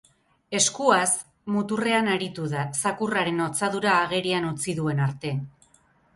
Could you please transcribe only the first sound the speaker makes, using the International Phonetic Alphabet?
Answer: e̞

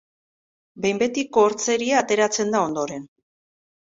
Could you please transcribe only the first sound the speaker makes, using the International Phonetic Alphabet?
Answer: b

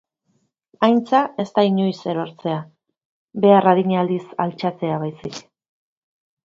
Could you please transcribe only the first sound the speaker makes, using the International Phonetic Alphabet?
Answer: a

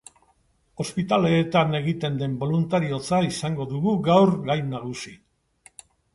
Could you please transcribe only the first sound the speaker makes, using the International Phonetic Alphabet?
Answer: o̞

